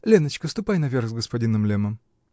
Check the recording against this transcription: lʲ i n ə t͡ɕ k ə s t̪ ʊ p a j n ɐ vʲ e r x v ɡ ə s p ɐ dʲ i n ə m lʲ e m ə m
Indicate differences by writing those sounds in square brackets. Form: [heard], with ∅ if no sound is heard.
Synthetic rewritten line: lʲ [e] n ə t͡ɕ k ə s t̪ ʊ p a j n ɐ vʲ e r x [z] ɡ ə s p ɐ dʲ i n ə m lʲ e m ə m